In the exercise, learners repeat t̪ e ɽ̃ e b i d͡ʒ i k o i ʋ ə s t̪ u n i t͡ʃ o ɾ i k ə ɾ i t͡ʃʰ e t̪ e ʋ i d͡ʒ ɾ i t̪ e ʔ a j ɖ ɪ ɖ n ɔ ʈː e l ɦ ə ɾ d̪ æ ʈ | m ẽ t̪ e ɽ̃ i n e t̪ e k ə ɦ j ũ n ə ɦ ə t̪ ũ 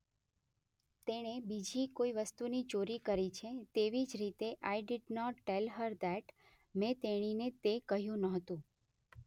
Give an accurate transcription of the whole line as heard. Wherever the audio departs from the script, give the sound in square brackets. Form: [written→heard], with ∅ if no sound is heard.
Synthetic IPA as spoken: t̪ e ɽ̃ e b i d͡ʒ i k o i ʋ ə s t̪ u n i t͡ʃ o ɾ i k ə ɾ i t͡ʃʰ e t̪ e ʋ i d͡ʒ ɾ i t̪ e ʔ a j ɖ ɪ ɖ n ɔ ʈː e l ɦ ə ɾ d̪ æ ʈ | m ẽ t̪ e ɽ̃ i n e t̪ e k ə ɦ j ũ n ə ɦ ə t̪ ũ